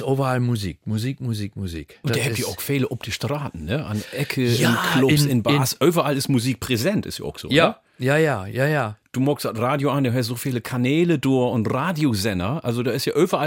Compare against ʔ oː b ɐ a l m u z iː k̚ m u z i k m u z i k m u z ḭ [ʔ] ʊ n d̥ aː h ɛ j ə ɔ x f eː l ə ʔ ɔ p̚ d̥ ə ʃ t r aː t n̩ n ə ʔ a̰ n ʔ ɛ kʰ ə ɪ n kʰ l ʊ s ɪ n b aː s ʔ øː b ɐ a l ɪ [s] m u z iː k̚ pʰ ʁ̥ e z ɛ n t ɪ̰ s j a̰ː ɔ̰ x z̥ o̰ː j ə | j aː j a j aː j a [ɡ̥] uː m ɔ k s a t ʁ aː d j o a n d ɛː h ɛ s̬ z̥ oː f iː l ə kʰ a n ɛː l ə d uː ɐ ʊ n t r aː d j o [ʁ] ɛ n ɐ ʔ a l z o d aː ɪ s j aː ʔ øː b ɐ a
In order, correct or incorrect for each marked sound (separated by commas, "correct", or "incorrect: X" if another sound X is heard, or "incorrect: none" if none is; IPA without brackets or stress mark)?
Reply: incorrect: k, correct, incorrect: d̥, incorrect: z